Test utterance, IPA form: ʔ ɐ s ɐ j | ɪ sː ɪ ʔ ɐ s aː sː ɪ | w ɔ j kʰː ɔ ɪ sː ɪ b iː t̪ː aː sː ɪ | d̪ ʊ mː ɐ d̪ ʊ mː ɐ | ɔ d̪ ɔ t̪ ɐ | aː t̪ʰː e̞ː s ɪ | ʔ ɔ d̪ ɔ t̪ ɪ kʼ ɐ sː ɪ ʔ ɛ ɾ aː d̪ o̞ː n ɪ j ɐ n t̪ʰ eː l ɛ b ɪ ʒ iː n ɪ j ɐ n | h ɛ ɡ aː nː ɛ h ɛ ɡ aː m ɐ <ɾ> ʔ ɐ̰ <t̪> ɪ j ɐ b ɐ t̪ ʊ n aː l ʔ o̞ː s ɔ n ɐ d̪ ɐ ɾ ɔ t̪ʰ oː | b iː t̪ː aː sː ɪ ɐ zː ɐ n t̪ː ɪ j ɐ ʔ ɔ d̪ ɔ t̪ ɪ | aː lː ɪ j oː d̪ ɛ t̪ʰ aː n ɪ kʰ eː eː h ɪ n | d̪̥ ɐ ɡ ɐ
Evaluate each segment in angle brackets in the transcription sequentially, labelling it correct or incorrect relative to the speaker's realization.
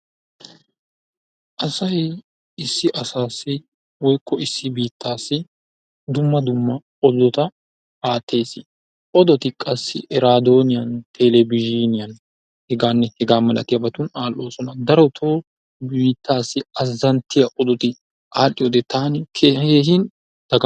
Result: incorrect: l, correct

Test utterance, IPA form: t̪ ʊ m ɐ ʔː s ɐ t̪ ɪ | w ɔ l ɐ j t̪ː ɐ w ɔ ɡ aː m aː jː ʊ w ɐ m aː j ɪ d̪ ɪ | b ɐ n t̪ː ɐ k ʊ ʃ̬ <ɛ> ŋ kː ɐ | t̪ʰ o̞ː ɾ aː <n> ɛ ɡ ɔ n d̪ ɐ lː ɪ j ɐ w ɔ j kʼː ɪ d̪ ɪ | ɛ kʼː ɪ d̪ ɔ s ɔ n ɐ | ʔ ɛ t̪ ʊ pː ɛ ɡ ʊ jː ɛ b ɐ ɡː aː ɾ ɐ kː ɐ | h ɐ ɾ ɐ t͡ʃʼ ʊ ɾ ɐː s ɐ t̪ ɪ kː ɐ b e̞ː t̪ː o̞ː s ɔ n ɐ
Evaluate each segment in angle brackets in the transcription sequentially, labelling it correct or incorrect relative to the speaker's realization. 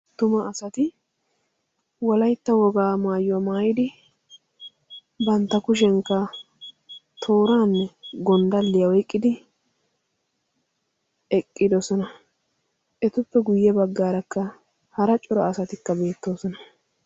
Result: correct, incorrect: nː

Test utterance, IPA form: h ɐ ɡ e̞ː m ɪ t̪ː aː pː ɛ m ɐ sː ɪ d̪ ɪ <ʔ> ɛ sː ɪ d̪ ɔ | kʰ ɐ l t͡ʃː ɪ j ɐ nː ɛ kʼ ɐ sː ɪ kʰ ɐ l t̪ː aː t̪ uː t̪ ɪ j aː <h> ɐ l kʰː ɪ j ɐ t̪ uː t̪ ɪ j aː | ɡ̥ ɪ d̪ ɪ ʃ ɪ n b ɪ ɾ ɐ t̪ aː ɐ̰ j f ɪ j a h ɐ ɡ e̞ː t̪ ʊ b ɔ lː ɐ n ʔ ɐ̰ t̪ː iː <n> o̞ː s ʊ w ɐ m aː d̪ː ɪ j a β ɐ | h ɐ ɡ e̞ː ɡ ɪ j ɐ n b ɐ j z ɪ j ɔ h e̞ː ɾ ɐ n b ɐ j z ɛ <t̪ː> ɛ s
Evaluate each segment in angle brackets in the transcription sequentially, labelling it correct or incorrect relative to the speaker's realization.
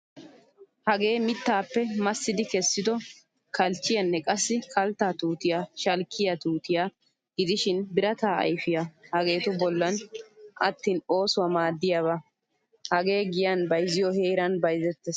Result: incorrect: k, incorrect: ʃ, correct, correct

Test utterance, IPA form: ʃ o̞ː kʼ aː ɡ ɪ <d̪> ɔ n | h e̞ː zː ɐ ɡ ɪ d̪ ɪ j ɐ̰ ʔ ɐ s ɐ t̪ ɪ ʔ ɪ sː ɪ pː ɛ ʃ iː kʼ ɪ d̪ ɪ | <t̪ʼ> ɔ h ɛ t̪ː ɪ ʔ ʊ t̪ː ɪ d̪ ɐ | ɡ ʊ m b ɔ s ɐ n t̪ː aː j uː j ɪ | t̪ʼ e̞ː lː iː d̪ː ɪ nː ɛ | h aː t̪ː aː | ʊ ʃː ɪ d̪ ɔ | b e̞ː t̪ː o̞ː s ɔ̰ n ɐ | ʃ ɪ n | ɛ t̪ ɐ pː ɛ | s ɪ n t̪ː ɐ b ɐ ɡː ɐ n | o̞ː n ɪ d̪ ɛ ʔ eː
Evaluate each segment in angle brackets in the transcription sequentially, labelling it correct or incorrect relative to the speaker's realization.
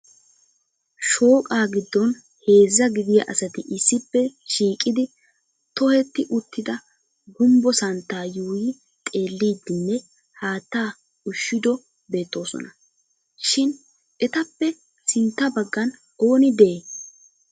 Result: incorrect: d̪ː, incorrect: t̪

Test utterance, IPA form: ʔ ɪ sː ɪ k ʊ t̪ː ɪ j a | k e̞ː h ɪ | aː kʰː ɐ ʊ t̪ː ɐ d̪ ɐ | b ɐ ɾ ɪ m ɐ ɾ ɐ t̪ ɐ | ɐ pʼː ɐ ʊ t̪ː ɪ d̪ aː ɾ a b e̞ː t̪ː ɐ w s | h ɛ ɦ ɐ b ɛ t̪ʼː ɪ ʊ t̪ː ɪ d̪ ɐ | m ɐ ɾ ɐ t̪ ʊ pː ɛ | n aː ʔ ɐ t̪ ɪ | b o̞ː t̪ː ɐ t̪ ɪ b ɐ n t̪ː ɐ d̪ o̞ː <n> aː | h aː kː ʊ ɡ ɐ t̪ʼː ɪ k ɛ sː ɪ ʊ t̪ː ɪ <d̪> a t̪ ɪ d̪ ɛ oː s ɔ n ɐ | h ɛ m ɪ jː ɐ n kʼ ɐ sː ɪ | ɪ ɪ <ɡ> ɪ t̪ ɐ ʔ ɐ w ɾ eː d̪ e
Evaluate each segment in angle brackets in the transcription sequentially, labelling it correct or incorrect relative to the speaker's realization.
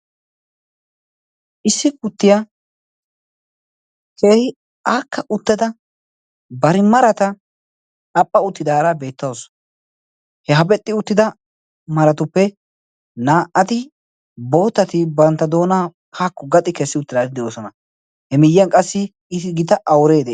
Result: correct, correct, correct

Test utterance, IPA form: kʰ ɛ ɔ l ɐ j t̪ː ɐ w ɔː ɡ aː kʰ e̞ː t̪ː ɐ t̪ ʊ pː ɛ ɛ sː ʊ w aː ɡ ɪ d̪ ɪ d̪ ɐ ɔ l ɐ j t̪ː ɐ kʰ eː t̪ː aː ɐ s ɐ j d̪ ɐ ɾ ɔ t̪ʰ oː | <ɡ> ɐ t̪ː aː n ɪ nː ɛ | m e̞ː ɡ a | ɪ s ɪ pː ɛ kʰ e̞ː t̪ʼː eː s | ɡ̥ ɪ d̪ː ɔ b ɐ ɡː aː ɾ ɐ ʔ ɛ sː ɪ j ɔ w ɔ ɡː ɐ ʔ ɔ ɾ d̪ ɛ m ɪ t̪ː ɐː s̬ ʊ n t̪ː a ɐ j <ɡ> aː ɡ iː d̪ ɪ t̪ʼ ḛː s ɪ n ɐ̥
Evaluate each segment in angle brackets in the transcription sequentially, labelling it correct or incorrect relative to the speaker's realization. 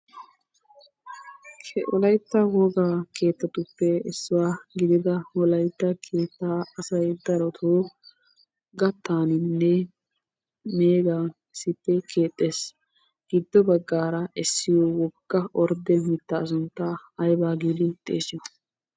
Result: correct, incorrect: b

